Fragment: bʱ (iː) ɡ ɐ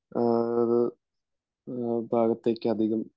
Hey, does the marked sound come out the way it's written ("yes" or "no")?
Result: no